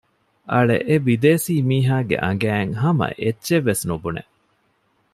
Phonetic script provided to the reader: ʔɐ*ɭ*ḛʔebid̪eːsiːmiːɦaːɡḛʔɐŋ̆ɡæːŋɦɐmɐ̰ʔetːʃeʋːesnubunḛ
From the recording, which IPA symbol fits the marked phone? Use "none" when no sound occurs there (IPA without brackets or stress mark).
ɭ